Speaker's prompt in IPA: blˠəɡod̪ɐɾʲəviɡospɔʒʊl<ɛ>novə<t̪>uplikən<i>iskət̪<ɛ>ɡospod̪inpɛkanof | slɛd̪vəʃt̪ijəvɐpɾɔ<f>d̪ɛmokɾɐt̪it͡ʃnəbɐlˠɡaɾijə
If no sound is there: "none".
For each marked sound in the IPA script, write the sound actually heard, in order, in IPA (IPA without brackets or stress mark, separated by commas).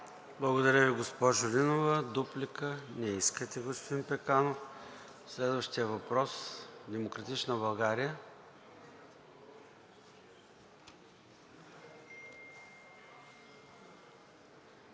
i, d̪, ɛ, ɛ, s